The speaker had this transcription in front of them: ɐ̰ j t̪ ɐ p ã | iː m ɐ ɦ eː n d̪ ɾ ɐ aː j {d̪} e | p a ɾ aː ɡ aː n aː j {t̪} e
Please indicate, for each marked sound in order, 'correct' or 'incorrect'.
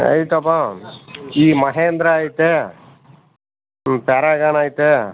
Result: incorrect: t̪, correct

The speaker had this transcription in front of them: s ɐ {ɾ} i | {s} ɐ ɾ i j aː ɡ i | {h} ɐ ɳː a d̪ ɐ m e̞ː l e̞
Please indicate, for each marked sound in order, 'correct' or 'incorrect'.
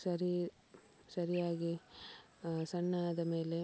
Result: correct, correct, incorrect: s

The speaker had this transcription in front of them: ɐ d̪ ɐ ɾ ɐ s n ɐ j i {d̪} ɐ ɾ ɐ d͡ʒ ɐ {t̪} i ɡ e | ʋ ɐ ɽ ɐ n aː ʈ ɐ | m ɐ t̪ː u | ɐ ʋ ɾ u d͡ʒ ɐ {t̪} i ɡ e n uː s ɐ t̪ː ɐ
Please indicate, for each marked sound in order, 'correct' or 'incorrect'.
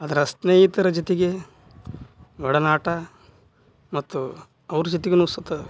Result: incorrect: t̪, correct, correct

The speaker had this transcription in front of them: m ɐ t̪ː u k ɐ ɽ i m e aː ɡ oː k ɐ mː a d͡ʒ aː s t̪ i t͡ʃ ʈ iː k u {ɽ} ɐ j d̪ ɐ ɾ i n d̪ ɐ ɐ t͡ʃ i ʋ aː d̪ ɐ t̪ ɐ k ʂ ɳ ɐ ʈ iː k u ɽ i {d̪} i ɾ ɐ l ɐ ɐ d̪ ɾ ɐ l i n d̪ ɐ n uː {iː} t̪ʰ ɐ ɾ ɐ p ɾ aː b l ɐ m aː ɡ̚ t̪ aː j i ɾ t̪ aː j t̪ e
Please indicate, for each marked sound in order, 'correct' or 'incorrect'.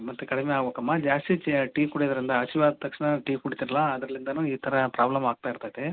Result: correct, incorrect: t̪, correct

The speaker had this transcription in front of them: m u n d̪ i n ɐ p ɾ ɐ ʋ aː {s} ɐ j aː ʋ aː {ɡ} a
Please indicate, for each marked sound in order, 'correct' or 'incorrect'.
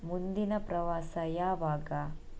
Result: correct, correct

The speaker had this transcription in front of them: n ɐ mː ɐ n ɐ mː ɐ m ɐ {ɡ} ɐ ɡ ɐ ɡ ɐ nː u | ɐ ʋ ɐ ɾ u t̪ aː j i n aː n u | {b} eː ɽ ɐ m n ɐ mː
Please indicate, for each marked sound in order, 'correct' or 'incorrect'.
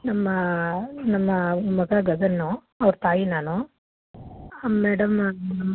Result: correct, incorrect: m

